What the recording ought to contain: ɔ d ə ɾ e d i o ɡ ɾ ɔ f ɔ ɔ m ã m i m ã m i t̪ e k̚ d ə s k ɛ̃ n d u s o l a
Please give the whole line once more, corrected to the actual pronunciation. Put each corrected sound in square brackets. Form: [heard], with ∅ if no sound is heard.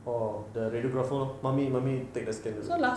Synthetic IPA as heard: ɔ d ə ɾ e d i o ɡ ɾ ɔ f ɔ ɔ m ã m i m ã m i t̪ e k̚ d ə s k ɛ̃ n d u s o l a